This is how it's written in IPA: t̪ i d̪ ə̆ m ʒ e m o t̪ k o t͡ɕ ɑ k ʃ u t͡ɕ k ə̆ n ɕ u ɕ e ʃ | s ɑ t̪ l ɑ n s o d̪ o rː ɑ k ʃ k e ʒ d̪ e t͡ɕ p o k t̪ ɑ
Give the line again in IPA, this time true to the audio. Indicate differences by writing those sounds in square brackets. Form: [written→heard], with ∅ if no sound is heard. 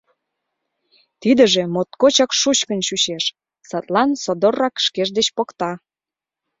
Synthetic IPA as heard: t̪ i d̪ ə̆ [m→∅] ʒ e m o t̪ k o t͡ɕ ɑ k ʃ u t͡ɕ k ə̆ n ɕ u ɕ e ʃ | s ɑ t̪ l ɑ n s o d̪ o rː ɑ k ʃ k e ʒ d̪ e t͡ɕ p o k t̪ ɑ